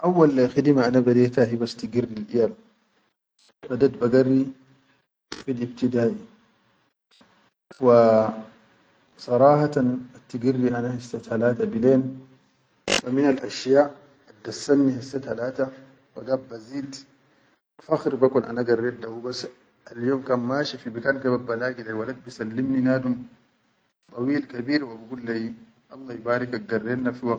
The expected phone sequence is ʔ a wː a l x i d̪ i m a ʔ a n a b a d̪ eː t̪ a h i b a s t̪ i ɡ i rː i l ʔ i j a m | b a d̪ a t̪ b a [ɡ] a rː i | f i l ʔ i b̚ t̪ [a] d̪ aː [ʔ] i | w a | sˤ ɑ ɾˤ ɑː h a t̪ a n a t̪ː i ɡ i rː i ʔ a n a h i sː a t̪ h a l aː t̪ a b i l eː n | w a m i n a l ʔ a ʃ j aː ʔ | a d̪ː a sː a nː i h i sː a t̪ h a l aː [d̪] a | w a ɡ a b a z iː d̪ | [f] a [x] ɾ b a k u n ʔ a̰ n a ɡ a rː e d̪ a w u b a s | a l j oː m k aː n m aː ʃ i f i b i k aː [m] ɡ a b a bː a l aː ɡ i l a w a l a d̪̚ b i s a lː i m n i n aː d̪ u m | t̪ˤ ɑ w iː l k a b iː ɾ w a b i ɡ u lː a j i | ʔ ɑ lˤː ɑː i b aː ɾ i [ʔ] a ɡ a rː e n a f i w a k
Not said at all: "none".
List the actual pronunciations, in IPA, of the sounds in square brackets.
ɡ, i, ʔ, t̪, f, x, n, k

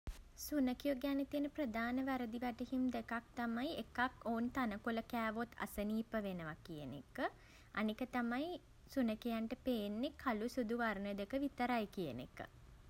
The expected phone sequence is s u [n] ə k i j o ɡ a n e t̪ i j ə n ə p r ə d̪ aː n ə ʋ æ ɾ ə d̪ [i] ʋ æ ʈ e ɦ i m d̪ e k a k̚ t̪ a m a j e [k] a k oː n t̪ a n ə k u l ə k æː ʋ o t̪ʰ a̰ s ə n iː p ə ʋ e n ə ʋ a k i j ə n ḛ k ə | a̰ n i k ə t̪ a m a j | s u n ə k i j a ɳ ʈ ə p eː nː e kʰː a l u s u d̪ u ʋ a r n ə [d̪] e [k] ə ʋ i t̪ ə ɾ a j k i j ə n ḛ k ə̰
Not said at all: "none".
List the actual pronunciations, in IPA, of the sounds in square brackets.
n, i, k, d̪, k

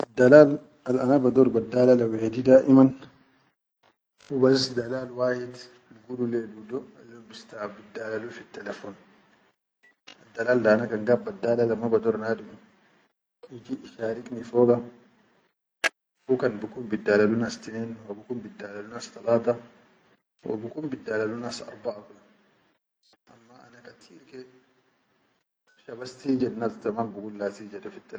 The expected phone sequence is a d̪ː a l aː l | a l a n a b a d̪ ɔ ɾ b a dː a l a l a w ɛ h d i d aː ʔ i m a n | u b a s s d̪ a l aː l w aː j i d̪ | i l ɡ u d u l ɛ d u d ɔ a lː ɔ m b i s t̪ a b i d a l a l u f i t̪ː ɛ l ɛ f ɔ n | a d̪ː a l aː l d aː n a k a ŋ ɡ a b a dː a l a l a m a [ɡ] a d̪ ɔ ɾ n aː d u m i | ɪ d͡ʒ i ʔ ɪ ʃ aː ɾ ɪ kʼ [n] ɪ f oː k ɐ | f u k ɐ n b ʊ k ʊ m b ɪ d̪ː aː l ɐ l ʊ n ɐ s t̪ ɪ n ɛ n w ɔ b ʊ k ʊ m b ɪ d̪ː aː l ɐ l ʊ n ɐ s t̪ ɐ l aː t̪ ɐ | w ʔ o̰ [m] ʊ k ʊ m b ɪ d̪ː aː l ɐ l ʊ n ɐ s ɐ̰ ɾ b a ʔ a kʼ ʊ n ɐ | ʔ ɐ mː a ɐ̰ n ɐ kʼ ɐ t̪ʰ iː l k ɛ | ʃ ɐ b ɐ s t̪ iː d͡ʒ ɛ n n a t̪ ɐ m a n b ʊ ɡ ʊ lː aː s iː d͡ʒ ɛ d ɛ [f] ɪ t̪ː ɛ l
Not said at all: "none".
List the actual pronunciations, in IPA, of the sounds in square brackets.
b, n, b, f

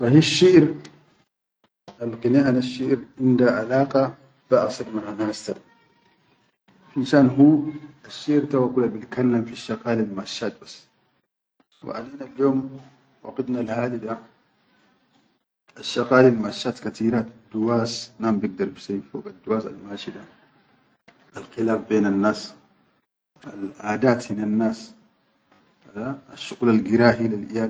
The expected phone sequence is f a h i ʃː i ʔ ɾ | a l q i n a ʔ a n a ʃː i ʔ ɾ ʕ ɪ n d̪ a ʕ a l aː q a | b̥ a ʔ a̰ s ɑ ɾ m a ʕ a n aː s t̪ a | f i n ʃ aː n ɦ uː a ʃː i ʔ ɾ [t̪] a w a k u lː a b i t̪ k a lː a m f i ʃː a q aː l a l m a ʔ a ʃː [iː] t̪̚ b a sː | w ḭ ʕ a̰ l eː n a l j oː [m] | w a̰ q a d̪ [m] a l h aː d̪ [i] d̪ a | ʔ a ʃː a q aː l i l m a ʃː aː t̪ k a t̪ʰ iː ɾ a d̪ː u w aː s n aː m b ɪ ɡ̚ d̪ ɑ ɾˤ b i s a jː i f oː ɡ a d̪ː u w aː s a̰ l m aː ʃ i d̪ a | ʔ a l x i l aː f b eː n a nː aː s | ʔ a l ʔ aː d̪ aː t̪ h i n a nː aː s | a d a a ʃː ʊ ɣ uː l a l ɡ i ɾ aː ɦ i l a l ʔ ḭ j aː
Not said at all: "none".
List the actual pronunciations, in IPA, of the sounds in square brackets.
t̪, aː, m, n, i

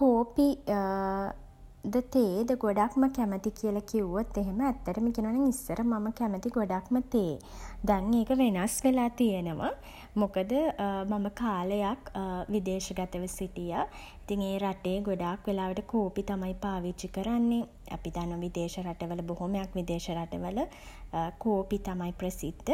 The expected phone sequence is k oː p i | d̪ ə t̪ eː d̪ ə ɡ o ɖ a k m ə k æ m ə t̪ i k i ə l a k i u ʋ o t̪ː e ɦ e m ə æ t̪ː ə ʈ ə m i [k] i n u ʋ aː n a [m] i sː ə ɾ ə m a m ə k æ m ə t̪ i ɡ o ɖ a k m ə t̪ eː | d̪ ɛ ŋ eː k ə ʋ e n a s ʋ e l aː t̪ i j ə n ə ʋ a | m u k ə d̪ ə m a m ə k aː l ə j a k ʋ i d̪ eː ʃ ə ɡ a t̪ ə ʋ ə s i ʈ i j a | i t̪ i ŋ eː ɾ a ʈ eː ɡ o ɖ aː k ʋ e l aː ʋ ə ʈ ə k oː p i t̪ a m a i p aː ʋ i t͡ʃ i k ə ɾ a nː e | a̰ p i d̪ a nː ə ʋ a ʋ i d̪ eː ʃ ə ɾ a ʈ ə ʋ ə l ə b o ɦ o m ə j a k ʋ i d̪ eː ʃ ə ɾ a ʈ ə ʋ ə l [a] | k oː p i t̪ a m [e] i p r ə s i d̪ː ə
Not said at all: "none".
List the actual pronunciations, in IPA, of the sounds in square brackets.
k, ŋ, ə, a

